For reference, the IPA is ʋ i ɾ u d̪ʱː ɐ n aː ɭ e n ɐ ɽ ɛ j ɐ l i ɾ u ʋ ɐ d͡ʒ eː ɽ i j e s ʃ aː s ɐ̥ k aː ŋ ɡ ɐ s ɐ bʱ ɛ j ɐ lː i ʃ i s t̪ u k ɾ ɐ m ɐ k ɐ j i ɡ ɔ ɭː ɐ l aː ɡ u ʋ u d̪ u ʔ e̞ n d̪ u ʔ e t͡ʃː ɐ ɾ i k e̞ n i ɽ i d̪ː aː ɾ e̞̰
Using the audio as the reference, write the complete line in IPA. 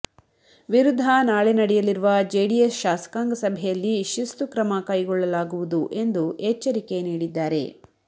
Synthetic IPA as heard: ʋ i ɾ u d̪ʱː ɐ n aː ɭ e n ɐ ɽ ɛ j ɐ l i ɾ u ʋ ɐ d͡ʒ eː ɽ i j e s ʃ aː s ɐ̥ k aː ŋ ɡ ɐ s ɐ bʱ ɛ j ɐ lː i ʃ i s t̪ u k ɾ ɐ m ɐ k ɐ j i ɡ ɔ ɭː ɐ l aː ɡ u ʋ u d̪ u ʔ e̞ n d̪ u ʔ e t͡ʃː ɐ ɾ i k e̞ n iː ɽ i d̪ː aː ɾ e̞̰

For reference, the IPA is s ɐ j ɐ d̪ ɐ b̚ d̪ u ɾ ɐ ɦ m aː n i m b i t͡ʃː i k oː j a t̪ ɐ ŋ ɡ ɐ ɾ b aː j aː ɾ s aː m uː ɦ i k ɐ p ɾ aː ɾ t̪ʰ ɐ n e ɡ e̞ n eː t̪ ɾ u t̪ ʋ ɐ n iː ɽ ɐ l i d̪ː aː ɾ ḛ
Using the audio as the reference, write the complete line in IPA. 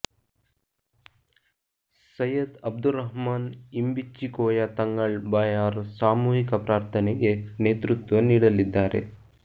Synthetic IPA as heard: s ɐ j ɐ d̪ ɐ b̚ d̪ u ɾ ɐ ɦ m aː n i m b i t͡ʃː i k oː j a t̪ ɐ ŋ ɡ ɐ ɭ b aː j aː ɾ s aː m uː ɦ i k ɐ p ɾ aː ɾ t̪ʰ ɐ n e ɡ e̞ n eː t̪ ɾ u t̪ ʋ ɐ n iː ɽ ɐ l i d̪ː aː ɾ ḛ

